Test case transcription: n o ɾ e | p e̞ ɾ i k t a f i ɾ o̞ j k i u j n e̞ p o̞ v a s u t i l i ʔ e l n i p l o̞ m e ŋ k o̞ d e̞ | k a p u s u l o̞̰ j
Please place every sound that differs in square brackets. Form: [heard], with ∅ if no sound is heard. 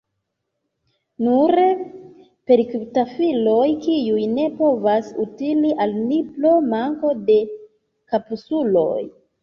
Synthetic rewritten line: n [u] ɾ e | p e̞ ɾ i k t a f i [l] o̞ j k i u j n e̞ p o̞ v a s u t i l i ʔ [a] l n i p l o̞ m [a] ŋ k o̞ d e̞ | k a p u s u l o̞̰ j